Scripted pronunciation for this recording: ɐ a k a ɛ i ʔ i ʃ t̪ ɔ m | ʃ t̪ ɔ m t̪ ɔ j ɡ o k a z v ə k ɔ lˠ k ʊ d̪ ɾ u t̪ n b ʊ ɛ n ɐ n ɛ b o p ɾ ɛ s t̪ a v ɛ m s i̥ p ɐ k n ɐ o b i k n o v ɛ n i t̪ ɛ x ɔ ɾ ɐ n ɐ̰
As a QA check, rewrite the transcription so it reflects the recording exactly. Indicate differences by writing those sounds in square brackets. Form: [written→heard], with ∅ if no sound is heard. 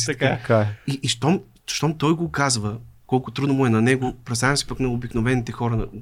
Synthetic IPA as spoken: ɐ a k a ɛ i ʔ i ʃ t̪ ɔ m | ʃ t̪ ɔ m t̪ ɔ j ɡ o k a z v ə k ɔ lˠ k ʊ [d̪→t̪] ɾ u [t̪→d̪] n [b→m] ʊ ɛ n ɐ n ɛ [b→ɡ] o p ɾ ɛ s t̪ a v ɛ m s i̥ p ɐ k n ɐ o b i k n o v ɛ n i t̪ ɛ x ɔ ɾ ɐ n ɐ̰